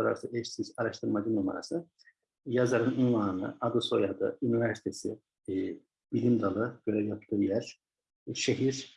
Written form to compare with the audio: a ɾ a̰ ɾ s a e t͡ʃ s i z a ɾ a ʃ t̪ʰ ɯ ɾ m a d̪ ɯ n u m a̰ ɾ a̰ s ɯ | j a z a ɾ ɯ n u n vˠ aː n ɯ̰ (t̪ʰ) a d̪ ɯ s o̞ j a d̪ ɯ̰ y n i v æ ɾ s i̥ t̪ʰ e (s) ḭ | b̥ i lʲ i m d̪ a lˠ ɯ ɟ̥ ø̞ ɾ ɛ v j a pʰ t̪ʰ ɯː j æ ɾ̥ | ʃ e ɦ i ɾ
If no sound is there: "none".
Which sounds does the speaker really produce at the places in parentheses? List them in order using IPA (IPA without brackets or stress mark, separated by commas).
none, s